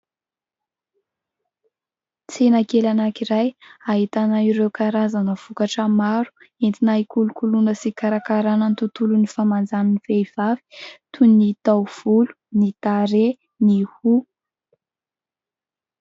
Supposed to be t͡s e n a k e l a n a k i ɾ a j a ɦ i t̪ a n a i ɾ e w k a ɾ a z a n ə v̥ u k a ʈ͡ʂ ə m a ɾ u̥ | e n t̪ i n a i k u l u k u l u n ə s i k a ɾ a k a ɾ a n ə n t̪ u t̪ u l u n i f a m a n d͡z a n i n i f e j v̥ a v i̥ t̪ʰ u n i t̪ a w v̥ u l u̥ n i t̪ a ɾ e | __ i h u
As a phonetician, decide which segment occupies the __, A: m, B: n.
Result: B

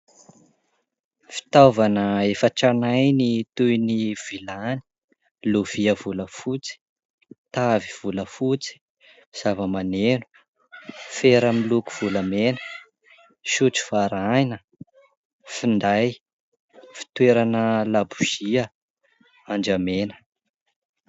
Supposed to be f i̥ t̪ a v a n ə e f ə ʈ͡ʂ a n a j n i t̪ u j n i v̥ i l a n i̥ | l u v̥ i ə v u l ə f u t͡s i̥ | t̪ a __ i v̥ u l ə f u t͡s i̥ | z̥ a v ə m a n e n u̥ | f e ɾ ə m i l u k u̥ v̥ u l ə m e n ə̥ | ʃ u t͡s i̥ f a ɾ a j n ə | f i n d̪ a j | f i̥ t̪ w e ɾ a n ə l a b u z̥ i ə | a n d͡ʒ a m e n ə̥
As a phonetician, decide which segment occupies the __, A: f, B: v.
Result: B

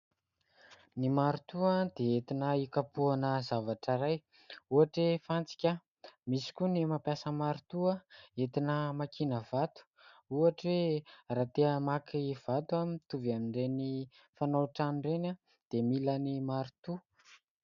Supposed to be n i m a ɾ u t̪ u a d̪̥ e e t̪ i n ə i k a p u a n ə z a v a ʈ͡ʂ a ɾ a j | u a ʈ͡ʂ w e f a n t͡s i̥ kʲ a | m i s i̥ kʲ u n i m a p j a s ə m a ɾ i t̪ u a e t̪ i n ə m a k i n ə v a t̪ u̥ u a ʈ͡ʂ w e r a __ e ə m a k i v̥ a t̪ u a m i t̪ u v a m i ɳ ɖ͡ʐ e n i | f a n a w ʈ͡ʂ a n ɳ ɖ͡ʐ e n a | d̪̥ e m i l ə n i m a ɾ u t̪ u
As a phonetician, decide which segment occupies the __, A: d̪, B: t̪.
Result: B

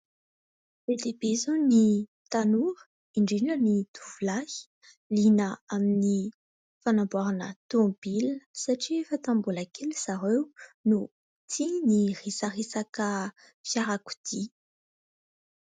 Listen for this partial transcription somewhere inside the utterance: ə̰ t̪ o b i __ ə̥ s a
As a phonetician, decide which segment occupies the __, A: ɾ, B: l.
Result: B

